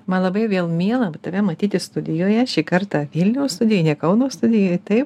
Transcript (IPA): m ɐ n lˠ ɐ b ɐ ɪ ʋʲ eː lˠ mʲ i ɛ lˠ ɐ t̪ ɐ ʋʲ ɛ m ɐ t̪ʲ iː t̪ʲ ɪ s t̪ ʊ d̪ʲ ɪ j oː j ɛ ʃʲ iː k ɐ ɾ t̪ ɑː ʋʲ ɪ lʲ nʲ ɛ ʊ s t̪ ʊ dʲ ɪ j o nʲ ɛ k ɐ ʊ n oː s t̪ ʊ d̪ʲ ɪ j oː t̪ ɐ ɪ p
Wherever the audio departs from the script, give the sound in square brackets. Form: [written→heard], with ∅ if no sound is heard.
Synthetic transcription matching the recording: m ɐ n lˠ ɐ b ɐ ɪ ʋʲ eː lˠ mʲ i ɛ lˠ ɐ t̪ ɐ ʋʲ ɛ m ɐ t̪ʲ iː t̪ʲ ɪ s t̪ ʊ d̪ʲ ɪ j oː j ɛ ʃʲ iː k ɐ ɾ t̪ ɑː ʋʲ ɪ lʲ nʲ ɛ ʊ s t̪ ʊ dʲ ɪ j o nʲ ɛ k ɐ ʊ n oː s t̪ ʊ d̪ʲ ɪ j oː t̪ ɐ ɪ p

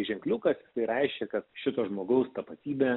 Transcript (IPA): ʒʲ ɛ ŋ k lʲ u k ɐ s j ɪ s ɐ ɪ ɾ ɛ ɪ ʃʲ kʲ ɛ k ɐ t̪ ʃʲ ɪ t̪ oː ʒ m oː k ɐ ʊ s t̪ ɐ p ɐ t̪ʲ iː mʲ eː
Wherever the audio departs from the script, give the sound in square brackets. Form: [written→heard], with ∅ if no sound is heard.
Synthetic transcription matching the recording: ʒʲ ɛ ŋ k lʲ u k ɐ s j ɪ s ɐ ɪ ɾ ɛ ɪ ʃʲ kʲ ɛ k ɐ t̪ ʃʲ ɪ t̪ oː ʒ m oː [k→ɡ] ɐ ʊ s t̪ ɐ p ɐ t̪ʲ iː [mʲ→bʲ] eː

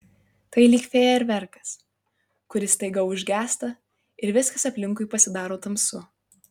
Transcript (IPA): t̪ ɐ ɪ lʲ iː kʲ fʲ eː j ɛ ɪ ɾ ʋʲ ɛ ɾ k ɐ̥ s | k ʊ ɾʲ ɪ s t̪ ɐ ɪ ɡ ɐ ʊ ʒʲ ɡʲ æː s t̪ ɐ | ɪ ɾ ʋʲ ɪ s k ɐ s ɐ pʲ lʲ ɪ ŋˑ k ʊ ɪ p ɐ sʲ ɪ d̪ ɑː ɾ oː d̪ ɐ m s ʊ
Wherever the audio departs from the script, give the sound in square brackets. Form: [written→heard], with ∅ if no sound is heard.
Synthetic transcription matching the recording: t̪ ɐ ɪ lʲ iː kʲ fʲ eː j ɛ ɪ ɾ ʋʲ ɛ ɾ k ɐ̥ s | k ʊ ɾʲ ɪ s t̪ ɐ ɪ ɡ ɐ ʊ ʒʲ ɡʲ æː s t̪ ɐ | ɪ ɾ ʋʲ ɪ s k ɐ s ɐ pʲ lʲ ɪ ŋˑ k ʊ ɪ p ɐ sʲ ɪ d̪ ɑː ɾ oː [d̪→t̪] ɐ m s ʊ

